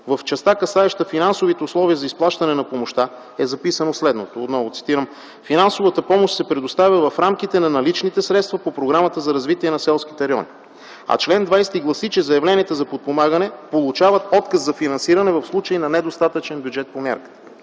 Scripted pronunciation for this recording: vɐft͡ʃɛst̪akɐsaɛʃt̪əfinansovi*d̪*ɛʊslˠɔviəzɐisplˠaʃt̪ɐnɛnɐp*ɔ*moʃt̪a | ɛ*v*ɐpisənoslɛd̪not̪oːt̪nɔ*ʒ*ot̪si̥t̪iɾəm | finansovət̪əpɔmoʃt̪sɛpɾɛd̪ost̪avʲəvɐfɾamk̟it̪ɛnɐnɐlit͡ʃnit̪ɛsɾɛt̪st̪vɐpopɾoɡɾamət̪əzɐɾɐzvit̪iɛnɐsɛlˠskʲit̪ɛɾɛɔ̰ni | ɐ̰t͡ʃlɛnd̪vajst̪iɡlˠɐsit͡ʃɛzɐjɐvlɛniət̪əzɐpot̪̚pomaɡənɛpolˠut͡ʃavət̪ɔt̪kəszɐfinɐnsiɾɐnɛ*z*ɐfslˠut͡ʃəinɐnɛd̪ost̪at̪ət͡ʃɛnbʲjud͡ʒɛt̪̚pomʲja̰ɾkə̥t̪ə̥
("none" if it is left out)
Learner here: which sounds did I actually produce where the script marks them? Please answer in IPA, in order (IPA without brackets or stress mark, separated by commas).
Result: t̪, o, z, v, v